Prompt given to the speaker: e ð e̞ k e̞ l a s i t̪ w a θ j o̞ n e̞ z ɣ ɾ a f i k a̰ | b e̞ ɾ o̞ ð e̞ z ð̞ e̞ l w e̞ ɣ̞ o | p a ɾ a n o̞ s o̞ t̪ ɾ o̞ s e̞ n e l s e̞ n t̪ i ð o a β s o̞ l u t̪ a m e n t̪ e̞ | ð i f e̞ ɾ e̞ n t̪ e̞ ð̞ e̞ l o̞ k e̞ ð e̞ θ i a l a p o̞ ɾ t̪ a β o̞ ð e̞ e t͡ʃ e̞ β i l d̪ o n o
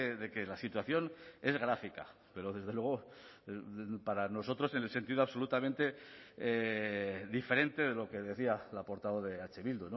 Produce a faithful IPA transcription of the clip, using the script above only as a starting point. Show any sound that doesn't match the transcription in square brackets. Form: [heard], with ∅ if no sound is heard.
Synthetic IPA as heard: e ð e̞ k e̞ l a s i t̪ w a θ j o̞ n e̞ z ɣ ɾ a f i k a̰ | [p] e̞ ɾ o̞ ð e̞ z ð̞ e̞ l w e̞ ɣ̞ o | p a ɾ a n o̞ s o̞ t̪ ɾ o̞ s e̞ n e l s e̞ n t̪ i ð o a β s o̞ l u t̪ a m [ẽ] n t̪ e̞ | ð i f e̞ ɾ e̞ n t̪ e̞ ð̞ e̞ l o̞ k e̞ ð e̞ θ i a l a p o̞ ɾ t̪ a β o̞ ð e̞ [a] t͡ʃ e̞ β i l d̪ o n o